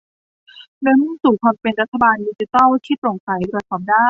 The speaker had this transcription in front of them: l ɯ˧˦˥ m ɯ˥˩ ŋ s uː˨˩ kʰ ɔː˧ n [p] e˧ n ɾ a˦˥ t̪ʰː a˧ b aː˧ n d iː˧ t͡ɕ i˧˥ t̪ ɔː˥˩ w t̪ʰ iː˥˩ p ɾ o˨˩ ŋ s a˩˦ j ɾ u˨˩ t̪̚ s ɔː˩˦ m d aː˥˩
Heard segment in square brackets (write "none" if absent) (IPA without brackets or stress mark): p